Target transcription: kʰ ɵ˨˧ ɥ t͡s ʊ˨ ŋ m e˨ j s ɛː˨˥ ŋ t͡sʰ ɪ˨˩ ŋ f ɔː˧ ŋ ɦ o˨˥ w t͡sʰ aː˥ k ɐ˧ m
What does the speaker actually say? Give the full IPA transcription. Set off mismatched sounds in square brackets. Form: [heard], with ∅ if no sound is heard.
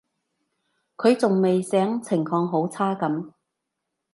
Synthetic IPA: kʰ ɵ˨˧ ɥ t͡s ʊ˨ ŋ m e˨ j s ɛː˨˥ ŋ t͡sʰ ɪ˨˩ ŋ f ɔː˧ ŋ ɦ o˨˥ w t͡sʰ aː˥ k [ɐ˨˥] m